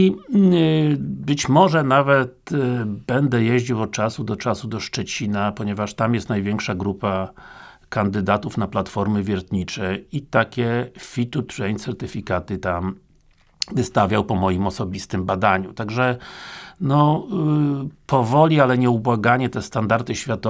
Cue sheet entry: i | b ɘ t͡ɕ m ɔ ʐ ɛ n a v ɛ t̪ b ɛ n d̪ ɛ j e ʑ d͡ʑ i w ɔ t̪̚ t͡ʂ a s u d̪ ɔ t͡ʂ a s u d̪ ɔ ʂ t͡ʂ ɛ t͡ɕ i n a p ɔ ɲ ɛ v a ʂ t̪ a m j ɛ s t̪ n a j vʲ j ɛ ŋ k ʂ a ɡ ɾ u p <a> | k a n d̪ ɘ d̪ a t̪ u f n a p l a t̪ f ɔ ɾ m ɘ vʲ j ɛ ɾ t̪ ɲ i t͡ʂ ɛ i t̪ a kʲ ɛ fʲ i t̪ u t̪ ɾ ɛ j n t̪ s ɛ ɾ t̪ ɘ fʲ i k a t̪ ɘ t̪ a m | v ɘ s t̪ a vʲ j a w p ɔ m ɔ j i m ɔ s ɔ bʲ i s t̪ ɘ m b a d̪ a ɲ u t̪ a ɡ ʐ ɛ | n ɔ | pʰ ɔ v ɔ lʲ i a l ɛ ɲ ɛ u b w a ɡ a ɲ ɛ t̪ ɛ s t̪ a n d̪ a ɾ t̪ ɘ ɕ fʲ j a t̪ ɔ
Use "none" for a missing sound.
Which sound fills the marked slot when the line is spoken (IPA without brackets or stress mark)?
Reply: a